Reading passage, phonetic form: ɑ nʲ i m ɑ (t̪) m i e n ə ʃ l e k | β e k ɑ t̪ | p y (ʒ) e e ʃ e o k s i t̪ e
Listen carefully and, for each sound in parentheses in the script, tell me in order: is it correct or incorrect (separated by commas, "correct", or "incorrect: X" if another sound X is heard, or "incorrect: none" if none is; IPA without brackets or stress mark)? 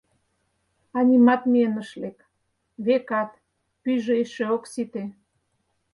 correct, correct